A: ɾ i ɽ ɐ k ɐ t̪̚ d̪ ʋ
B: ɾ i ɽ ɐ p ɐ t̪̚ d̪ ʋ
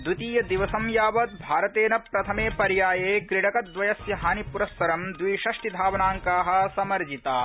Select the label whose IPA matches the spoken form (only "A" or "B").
A